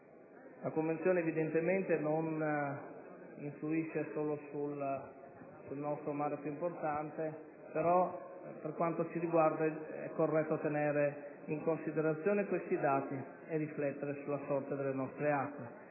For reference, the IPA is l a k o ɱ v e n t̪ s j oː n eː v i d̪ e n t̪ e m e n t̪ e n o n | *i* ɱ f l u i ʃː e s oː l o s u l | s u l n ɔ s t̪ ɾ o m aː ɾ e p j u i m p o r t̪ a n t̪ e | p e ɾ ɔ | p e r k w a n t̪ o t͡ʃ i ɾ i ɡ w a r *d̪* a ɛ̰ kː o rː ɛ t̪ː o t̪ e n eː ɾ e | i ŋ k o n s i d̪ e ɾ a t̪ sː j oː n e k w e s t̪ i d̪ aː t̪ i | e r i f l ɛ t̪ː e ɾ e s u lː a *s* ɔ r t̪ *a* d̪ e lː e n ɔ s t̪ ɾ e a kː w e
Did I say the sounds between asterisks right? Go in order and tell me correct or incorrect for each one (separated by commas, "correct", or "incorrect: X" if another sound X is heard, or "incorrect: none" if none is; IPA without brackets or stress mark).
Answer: correct, correct, correct, incorrect: e